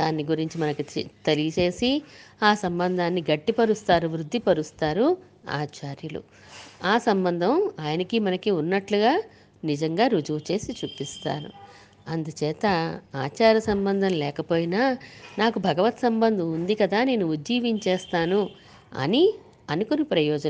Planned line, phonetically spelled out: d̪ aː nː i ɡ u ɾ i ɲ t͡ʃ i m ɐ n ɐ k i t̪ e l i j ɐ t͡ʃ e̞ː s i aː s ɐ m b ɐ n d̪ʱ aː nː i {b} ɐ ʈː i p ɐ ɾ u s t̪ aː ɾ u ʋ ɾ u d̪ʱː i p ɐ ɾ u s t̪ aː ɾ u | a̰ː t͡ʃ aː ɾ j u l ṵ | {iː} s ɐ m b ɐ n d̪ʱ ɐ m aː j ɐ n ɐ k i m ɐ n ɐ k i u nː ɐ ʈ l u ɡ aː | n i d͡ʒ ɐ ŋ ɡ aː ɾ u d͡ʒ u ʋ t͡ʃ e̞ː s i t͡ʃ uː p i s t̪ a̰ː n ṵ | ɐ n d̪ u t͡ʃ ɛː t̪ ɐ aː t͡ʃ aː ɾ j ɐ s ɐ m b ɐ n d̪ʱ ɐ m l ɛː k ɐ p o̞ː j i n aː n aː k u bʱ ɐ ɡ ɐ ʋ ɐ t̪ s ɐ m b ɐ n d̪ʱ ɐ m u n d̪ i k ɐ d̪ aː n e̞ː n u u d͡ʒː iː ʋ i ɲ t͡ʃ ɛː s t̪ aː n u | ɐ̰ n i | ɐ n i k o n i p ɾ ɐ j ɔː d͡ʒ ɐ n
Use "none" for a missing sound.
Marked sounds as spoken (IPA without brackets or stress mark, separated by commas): ɡ, aː